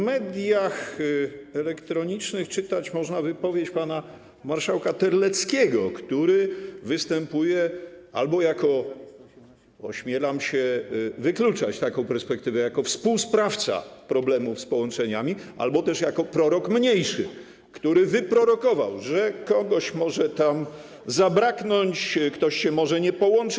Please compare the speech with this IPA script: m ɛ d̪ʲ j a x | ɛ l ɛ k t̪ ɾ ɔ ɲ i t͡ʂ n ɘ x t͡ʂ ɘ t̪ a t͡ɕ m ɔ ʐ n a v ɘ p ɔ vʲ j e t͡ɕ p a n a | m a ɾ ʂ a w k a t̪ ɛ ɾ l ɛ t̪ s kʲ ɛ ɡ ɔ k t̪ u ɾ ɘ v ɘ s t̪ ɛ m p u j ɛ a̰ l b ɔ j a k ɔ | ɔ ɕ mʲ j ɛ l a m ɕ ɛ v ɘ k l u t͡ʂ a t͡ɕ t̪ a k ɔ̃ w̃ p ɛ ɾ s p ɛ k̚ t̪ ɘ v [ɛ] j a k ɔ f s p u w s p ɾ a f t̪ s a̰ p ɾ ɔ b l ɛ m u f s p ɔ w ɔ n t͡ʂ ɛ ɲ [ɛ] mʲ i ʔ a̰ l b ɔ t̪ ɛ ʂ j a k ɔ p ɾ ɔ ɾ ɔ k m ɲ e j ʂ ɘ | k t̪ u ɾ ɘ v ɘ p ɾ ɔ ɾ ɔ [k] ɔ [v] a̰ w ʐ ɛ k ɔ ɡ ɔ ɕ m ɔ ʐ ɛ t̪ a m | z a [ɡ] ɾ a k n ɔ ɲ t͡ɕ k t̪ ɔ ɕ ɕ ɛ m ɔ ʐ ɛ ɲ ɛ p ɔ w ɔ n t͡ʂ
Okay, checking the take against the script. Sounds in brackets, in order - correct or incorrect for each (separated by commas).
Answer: correct, incorrect, correct, correct, incorrect